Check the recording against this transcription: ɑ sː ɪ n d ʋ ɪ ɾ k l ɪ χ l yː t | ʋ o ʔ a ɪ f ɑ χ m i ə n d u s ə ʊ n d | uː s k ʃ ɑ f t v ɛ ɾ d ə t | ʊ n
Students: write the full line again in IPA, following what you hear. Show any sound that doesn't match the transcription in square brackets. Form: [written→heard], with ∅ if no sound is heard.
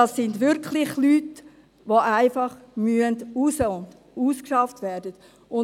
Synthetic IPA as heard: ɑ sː ɪ n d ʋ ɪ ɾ k l ɪ χ l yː t | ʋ o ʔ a ɪ f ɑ χ m [i→y] ə n d u s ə ʊ n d | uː s k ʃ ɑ f t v ɛ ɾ d ə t | ʊ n